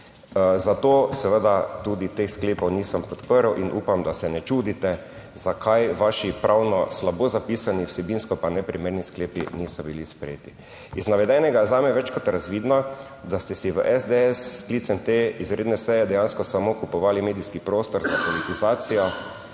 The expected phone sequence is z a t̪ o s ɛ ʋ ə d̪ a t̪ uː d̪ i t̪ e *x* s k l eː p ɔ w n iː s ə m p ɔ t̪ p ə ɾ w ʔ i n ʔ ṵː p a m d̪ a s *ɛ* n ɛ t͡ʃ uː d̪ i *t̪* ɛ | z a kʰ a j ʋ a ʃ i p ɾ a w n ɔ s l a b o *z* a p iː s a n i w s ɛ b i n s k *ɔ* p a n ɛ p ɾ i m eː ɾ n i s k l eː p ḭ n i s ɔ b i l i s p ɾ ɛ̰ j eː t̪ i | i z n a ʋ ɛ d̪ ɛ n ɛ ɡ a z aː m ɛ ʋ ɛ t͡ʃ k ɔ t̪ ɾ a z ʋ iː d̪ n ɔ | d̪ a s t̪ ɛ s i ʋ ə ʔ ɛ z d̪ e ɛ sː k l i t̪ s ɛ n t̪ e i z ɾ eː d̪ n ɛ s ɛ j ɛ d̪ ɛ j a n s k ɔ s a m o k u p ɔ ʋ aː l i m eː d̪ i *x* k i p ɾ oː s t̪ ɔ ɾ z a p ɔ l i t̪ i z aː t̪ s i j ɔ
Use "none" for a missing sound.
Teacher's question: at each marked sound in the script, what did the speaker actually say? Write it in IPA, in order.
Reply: x, ɛ, t̪, z, ɔ, s

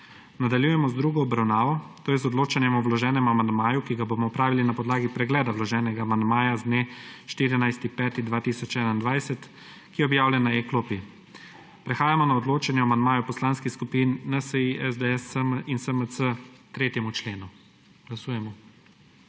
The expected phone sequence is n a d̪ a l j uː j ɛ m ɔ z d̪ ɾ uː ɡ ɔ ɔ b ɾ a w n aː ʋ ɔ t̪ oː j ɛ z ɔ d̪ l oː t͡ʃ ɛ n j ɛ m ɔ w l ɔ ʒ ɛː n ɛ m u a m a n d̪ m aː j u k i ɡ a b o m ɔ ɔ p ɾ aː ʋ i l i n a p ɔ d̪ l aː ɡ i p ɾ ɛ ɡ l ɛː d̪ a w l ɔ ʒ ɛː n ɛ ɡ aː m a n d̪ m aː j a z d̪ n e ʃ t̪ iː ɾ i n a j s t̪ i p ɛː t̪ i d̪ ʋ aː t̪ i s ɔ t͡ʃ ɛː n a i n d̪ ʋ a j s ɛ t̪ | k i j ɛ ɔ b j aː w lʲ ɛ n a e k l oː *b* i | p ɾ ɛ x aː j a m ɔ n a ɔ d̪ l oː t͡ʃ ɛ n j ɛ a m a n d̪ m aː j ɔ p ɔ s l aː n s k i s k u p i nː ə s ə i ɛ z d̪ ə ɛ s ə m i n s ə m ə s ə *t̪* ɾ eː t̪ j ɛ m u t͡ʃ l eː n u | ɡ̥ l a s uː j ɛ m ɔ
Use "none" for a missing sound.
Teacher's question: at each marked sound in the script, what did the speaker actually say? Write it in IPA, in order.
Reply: p, t̪

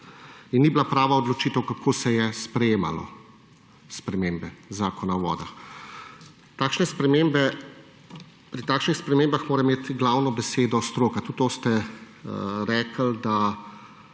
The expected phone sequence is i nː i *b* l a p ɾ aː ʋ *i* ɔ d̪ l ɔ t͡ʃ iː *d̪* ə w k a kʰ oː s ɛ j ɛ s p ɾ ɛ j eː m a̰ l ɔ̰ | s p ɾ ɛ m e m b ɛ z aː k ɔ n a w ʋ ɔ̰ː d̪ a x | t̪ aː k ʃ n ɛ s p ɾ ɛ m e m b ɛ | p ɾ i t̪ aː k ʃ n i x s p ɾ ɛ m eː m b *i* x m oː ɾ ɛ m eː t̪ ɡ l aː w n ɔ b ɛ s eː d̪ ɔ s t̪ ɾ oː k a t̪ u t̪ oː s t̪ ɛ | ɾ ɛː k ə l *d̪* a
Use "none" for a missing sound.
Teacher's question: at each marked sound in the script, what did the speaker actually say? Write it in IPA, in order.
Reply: b, a, t̪, a, d̪

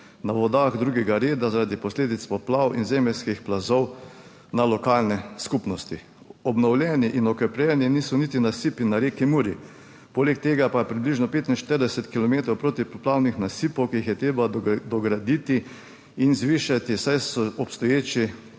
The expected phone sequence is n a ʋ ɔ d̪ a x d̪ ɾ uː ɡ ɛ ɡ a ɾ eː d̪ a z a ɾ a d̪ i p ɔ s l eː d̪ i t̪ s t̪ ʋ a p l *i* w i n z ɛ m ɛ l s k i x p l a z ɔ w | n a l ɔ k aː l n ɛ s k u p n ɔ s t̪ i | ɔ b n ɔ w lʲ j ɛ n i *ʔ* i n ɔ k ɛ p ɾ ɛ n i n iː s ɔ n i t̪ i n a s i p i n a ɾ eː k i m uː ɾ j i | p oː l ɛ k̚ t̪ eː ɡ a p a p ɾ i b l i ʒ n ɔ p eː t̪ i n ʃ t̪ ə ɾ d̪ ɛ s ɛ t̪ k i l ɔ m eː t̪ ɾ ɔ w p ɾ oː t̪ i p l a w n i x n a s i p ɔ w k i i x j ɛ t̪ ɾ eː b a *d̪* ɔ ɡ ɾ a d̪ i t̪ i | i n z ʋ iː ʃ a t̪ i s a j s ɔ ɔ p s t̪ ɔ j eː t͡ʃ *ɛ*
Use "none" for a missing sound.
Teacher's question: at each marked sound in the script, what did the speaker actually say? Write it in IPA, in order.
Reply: a, ʔ, d̪, i

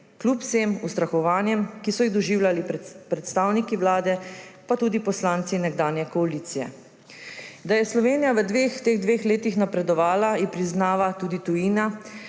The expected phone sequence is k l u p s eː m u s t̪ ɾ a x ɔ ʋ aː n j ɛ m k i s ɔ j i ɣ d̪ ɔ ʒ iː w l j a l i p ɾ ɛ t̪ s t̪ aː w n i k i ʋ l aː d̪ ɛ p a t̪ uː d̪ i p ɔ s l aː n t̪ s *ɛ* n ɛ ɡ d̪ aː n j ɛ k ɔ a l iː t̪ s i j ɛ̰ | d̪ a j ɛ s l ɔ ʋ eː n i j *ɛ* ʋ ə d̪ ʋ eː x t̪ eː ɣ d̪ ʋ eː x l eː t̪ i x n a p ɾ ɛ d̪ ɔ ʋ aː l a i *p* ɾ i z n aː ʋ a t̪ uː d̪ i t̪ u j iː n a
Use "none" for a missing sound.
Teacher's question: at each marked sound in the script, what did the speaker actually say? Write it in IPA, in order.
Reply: i, a, p

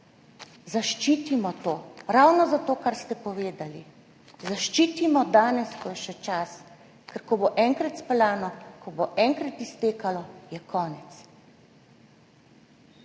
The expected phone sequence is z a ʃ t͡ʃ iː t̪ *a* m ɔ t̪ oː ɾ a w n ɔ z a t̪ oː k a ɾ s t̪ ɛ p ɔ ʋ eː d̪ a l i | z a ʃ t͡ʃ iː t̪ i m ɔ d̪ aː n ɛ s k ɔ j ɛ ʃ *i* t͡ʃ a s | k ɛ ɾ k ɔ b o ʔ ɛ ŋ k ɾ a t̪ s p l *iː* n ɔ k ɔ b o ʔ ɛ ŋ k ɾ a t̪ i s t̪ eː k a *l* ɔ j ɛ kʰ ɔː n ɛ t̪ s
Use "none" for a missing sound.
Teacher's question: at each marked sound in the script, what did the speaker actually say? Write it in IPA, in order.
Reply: i, ɛ, aː, l

